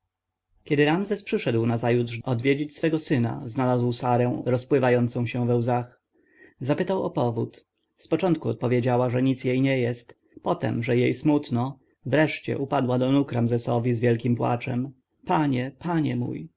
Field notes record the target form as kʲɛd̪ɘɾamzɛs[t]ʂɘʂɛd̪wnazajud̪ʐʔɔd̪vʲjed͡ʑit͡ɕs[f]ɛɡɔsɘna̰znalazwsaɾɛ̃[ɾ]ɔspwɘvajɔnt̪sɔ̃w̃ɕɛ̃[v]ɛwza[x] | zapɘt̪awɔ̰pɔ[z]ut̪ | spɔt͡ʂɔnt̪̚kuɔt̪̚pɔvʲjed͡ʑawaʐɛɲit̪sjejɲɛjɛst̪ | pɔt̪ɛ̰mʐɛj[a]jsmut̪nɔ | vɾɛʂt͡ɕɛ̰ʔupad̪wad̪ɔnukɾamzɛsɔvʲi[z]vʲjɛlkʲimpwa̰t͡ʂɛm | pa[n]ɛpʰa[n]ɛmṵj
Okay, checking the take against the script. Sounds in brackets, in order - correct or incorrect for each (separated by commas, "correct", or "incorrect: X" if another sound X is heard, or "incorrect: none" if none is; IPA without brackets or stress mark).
incorrect: p, correct, correct, correct, correct, incorrect: v, incorrect: e, correct, incorrect: ɲ, incorrect: ɲ